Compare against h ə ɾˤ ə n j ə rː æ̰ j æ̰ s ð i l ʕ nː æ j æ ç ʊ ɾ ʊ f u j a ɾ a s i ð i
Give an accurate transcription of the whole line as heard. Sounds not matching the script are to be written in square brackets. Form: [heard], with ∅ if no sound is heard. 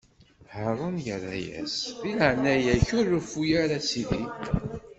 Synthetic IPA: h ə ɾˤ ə n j ə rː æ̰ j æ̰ s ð i l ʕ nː æ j æ ç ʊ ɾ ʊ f u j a ɾ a s i ð i